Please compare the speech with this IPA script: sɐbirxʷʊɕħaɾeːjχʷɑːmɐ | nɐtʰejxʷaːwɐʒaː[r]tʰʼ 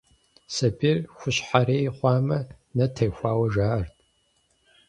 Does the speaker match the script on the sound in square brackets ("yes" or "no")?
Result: yes